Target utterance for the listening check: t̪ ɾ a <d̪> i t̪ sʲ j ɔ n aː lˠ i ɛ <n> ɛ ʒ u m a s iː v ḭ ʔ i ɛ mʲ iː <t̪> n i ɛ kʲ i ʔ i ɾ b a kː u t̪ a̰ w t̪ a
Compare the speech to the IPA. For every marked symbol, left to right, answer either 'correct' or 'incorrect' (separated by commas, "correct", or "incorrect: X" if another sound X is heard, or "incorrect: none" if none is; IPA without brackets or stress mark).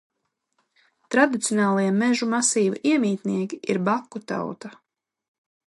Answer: correct, incorrect: m, correct